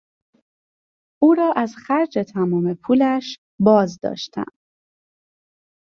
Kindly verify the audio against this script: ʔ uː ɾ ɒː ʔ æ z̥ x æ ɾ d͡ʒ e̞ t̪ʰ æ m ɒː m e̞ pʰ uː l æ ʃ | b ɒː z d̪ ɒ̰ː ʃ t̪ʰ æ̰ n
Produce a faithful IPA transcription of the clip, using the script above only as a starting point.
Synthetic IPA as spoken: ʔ uː ɾ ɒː ʔ æ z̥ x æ ɾ d͡ʒ e̞ t̪ʰ æ m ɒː m e̞ pʰ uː l æ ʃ | b ɒː z d̪ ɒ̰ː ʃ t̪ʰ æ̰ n

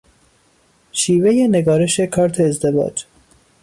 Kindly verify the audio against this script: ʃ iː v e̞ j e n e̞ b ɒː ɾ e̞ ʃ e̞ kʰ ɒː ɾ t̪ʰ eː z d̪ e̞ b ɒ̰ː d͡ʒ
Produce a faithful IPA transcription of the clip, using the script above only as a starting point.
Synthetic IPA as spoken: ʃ iː v e̞ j e n e̞ ɡ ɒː ɾ e̞ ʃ e̞ kʰ ɒː ɾ t̪ʰ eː z d̪ e̞ v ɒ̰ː d͡ʒ

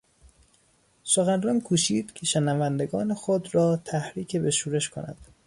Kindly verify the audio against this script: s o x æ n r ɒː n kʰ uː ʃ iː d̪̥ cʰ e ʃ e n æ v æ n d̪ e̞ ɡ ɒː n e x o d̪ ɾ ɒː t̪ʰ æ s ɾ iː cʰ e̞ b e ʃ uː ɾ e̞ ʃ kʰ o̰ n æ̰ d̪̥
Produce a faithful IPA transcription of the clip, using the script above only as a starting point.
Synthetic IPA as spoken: s o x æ n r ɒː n kʰ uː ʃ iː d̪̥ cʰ e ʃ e n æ v æ n d̪ e̞ ɡ ɒː n e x o d̪ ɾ ɒː t̪ʰ æ h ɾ iː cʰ e̞ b e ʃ uː ɾ e̞ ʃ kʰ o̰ n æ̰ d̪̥

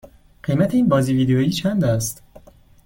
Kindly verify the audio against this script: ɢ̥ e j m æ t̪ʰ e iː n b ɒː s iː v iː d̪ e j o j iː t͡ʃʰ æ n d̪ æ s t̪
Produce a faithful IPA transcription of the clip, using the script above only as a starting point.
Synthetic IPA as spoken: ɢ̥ e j m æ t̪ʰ e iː n b ɒː z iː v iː d̪ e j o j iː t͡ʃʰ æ n d̪ æ s t̪

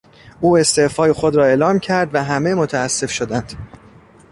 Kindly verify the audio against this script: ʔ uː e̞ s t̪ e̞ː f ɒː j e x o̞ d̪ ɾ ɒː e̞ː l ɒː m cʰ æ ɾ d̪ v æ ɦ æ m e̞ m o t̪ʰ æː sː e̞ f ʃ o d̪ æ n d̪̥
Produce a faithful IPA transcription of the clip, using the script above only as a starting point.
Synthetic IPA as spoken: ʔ uː e̞ s t̪ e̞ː f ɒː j e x o̞ d̪ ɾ ɒː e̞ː l ɒː m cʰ æ ɾ d̪ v æ ɦ æ m e̞ m o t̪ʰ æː sː e̞ f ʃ o d̪ æ n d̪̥

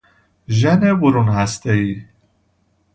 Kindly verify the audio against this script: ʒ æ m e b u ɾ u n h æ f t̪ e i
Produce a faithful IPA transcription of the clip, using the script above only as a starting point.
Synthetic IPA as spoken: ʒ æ n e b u ɾ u n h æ s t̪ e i

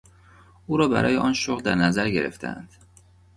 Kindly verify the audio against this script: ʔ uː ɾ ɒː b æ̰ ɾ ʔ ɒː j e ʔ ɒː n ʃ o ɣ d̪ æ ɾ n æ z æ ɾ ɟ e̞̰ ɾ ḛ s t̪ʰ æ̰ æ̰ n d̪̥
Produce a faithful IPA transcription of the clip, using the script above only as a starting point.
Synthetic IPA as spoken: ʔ uː ɾ ɒː b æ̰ ɾ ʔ ɒː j e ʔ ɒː n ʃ o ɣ d̪ æ ɾ n æ z æ ɾ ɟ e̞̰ ɾ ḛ f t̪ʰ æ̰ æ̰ n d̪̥

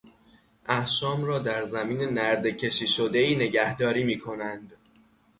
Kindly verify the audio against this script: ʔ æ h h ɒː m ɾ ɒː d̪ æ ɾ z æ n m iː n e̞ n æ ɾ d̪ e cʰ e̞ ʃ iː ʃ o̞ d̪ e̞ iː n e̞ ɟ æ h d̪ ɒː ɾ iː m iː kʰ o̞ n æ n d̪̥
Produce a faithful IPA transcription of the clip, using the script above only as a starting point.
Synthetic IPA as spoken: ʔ æ h ʃ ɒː m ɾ ɒː d̪ æ ɾ z æ m iː n e̞ n æ ɾ d̪ e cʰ e̞ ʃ iː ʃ o̞ d̪ e̞ iː n e̞ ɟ æ h d̪ ɒː ɾ iː m iː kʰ o̞ n æ n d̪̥

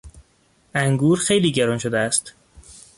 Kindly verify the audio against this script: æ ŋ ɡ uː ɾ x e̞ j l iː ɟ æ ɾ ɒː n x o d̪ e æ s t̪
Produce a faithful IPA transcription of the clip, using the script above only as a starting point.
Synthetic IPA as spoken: æ ŋ ɡ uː ɾ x e̞ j l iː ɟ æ ɾ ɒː n ʃ o d̪ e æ s t̪

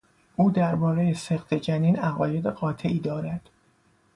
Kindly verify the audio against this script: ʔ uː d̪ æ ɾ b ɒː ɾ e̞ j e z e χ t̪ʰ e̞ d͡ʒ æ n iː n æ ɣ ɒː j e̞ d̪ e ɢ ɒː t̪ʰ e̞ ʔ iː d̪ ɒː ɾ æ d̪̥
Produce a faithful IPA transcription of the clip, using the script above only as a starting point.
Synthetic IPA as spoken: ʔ uː d̪ æ ɾ b ɒː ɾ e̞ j e s e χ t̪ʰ e̞ d͡ʒ æ n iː n æ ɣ ɒː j e̞ d̪ e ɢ ɒː t̪ʰ e̞ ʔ iː d̪ ɒː ɾ æ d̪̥

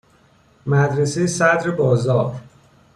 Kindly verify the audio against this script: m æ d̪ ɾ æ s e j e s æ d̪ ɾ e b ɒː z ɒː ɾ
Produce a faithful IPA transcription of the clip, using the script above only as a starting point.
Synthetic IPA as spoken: m æ d̪ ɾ e s e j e s æ d̪ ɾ e b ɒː z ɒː ɾ

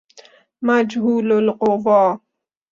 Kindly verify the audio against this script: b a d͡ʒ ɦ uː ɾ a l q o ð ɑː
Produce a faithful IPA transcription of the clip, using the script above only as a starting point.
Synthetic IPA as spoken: m a d͡ʒ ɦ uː l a l q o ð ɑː

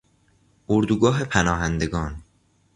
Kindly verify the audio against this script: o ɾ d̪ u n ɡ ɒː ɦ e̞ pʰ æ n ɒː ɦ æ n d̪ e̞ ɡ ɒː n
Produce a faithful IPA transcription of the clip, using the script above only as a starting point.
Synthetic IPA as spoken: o ɾ d̪ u ɡ ɒː ɦ e̞ pʰ æ n ɒː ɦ æ n d̪ e̞ ɡ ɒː n

